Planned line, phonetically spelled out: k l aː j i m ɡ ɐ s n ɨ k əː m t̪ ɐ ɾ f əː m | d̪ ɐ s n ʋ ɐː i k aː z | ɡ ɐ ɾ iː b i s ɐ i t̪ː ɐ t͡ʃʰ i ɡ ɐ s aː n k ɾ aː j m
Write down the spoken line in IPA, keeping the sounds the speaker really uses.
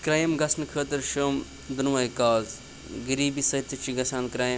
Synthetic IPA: k ɾ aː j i m ɡ ɐ s n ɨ kʰ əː t̪ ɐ ɾ ʃ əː m | d̪ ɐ n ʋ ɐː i k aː z | ɡ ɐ ɾ iː b i s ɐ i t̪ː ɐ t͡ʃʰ i ɡ ɐ s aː n k ɾ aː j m